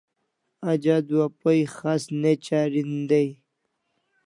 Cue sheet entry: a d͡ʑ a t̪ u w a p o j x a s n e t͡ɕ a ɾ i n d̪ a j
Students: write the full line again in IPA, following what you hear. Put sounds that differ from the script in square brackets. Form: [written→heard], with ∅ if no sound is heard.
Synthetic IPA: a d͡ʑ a [t̪→d̪] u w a p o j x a s n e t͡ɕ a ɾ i n d̪ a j

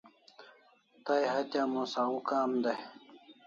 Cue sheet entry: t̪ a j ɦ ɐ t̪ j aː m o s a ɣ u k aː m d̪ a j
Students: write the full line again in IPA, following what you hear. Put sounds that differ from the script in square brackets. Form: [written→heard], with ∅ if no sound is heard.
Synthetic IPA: t̪ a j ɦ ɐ t̪ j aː m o s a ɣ u k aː m d̪ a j

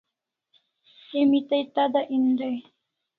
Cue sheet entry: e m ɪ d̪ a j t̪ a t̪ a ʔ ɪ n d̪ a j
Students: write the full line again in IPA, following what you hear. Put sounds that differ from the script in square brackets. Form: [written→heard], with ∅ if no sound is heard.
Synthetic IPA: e m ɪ [d̪→t̪] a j t̪ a [t̪→d̪] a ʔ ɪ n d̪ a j

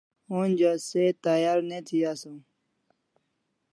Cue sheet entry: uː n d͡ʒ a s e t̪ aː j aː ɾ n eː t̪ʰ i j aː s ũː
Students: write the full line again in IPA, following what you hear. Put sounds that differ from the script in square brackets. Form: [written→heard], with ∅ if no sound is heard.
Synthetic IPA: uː n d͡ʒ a s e t̪ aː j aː ɾ n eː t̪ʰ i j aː s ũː

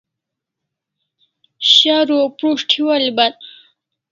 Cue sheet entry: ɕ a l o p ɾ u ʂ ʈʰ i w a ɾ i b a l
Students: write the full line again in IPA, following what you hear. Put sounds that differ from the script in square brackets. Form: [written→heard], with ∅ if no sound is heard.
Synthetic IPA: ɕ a [l→ɾ] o p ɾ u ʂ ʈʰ i w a [ɾ→l] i b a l

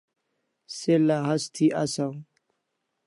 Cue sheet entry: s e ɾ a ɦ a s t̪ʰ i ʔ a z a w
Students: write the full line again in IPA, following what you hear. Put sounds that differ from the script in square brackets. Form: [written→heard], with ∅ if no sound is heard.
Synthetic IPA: s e [ɾ→l] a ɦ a s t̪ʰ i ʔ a [z→s] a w

